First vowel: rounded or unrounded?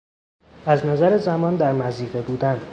unrounded